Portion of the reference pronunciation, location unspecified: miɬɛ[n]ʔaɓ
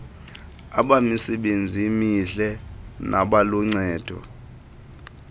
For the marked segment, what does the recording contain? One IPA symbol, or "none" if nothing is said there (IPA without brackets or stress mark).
n